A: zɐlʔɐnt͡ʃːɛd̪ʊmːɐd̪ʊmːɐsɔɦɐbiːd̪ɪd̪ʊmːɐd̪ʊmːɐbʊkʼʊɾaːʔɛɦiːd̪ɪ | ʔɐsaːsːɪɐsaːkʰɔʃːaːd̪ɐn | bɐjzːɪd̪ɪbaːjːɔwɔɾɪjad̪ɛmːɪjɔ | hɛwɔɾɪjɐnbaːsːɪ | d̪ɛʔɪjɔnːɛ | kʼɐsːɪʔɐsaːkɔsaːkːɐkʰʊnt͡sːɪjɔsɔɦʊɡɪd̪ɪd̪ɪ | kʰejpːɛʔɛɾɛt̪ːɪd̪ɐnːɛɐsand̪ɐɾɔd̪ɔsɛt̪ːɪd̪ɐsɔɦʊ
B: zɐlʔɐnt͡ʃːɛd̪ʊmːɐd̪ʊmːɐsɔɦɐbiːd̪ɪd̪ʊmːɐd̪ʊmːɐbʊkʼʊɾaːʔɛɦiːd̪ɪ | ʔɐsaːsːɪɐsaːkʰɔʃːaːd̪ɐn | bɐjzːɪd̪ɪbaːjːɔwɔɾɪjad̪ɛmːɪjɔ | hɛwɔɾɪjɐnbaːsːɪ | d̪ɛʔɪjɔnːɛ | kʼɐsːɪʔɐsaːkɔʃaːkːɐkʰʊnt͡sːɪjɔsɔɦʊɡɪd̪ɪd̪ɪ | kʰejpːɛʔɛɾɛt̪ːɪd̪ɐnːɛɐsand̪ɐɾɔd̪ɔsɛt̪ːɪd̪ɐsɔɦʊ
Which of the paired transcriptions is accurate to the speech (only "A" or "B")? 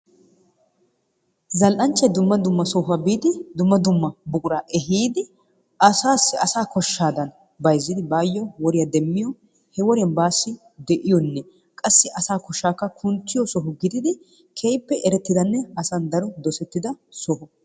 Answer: B